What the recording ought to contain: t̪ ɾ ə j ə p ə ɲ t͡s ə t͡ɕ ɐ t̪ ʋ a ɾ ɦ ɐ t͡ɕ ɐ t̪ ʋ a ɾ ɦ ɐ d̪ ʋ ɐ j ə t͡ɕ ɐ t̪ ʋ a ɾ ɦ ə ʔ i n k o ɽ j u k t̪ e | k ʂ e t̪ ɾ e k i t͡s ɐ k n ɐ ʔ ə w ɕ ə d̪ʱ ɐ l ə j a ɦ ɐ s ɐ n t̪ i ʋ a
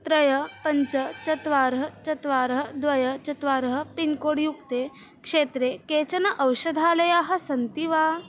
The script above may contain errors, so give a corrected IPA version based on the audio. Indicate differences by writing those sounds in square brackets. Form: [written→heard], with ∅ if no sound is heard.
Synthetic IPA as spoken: t̪ ɾ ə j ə p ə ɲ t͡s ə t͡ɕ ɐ t̪ ʋ a ɾ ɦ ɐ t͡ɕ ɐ t̪ ʋ a ɾ ɦ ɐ d̪ ʋ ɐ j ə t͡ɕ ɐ t̪ ʋ a ɾ ɦ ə [ʔ→p] i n k o ɽ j u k t̪ e | k ʂ e t̪ ɾ e k [i→e] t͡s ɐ [k→∅] n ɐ ʔ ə w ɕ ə d̪ʱ [ɐ→a] l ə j a ɦ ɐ s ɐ n t̪ i ʋ a